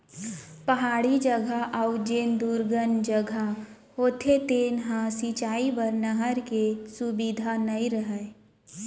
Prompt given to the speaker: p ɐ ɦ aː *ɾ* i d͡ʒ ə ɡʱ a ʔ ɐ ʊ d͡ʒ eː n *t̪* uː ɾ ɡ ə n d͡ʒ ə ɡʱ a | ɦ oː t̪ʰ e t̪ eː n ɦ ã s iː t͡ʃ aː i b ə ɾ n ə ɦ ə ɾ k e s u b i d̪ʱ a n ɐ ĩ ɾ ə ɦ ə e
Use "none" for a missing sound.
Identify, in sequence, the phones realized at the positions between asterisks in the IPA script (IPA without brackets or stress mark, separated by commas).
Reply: ɽ, d̪